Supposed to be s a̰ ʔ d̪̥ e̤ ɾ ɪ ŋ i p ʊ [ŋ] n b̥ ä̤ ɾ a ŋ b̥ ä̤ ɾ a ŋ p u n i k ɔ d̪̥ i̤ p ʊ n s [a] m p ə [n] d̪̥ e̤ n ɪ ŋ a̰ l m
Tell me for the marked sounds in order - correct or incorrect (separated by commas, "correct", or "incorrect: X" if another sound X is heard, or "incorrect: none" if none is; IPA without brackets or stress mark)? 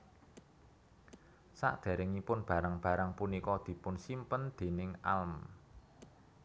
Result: incorrect: none, incorrect: i, correct